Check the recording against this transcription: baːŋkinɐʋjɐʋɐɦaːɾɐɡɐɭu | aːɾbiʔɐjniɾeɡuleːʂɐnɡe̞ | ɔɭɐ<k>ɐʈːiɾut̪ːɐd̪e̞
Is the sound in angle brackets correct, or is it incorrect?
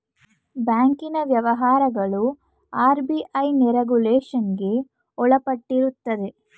incorrect